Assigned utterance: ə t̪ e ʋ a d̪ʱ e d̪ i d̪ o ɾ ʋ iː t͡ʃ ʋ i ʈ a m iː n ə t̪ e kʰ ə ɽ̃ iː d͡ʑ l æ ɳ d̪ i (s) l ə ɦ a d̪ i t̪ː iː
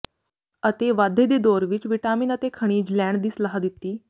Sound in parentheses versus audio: correct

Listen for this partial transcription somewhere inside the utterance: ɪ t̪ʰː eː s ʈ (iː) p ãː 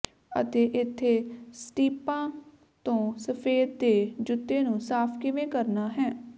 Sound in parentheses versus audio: correct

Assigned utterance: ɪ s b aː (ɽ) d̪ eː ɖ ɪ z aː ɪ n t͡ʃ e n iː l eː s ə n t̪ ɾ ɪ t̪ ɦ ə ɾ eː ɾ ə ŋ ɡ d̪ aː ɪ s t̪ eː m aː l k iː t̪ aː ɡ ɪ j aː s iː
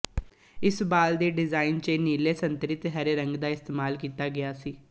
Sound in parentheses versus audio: incorrect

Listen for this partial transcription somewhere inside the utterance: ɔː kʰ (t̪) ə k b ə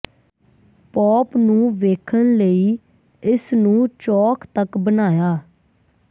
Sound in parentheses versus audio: correct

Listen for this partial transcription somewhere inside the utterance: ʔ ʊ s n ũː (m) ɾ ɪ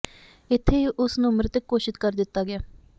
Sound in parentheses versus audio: correct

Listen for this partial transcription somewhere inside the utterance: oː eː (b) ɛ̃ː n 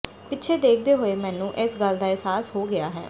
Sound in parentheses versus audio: incorrect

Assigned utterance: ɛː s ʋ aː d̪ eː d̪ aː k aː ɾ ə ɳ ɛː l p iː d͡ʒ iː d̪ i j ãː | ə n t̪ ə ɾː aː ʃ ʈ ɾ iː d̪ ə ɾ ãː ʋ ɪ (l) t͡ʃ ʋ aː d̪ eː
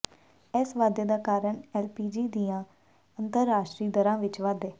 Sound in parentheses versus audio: incorrect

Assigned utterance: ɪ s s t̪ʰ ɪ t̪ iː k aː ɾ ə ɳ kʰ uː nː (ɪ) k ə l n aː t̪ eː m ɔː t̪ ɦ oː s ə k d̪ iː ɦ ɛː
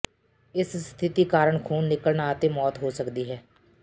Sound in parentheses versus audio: correct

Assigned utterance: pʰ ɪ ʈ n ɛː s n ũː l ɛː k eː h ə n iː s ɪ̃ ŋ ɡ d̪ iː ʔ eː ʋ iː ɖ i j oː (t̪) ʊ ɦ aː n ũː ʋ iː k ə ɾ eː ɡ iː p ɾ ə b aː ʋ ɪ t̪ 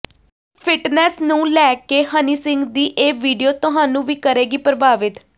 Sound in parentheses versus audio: correct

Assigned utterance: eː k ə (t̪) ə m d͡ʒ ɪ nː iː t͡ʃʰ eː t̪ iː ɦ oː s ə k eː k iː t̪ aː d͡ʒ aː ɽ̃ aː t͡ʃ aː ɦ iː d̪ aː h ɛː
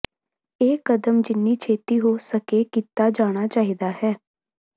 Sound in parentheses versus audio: incorrect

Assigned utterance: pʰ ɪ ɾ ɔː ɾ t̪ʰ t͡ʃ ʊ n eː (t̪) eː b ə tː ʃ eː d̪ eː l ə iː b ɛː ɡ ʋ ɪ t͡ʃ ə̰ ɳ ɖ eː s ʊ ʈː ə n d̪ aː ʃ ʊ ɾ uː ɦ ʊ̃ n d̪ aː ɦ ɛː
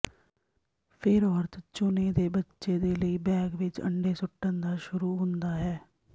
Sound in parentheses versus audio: incorrect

